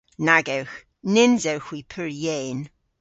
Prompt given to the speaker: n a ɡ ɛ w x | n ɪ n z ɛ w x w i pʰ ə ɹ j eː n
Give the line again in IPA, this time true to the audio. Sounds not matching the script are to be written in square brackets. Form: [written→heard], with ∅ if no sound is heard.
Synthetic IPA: n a ɡ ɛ w x | n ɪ n z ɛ w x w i pʰ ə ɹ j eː n